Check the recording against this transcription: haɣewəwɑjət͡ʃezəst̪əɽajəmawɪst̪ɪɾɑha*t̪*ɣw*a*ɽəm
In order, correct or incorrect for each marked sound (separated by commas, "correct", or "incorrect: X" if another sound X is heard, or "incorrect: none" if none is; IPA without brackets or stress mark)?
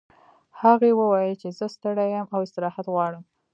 correct, incorrect: ɑ